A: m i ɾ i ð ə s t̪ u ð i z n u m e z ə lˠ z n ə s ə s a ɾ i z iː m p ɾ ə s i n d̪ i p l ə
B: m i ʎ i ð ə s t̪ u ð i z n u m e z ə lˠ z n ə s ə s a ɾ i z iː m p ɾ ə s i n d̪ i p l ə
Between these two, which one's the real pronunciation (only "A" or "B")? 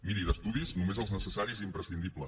A